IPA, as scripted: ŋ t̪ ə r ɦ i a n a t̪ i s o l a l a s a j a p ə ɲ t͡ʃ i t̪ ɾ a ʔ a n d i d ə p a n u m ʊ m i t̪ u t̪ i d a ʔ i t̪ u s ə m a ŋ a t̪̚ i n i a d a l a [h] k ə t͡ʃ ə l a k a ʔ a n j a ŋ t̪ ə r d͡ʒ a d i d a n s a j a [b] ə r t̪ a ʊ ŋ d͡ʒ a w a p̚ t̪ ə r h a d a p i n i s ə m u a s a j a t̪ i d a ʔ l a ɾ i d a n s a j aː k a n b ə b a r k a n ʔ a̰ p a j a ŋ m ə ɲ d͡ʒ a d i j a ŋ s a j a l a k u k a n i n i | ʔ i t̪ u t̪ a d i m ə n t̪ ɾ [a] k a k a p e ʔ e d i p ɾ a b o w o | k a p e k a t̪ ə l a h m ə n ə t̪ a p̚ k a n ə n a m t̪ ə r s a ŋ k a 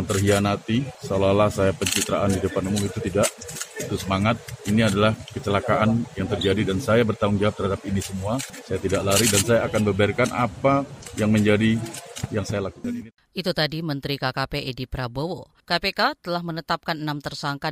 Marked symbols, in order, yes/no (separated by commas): yes, yes, no